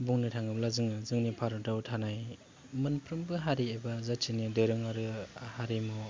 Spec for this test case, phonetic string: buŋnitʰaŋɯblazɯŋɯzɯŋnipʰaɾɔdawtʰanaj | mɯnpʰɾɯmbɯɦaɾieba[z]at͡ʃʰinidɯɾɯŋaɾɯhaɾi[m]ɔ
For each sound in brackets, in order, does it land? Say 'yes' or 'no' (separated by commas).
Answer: yes, yes